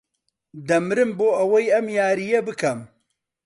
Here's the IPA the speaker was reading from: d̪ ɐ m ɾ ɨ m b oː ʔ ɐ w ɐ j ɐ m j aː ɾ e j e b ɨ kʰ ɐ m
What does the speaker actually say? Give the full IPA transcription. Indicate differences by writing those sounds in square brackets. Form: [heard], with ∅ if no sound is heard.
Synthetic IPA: d̪ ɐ m ɾ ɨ m b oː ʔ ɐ w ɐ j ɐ m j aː ɾ [i] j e b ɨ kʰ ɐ m